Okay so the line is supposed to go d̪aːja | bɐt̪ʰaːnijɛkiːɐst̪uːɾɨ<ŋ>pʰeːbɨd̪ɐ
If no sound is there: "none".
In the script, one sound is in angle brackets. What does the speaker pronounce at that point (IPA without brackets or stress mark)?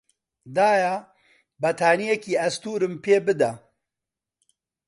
m